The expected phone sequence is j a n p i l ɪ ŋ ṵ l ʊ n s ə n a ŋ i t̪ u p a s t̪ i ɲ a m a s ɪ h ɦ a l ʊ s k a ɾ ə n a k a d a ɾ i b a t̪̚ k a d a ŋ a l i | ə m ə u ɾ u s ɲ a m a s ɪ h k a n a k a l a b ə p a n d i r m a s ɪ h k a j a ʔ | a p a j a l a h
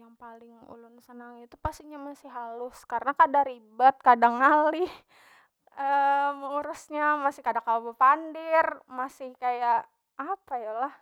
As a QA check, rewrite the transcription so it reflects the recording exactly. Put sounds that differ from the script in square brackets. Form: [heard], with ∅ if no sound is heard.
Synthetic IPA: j a [ŋ] p [a] l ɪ ŋ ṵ l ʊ n s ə n a ŋ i t̪ u p a s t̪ i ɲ a m a s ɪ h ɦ a l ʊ s k a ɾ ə n a k a d a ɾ i b a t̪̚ k a d a ŋ a l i | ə m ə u ɾ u s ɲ a m a s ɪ h k a [d] a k a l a b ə p a n d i r m a s ɪ h k a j a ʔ | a p a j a l a h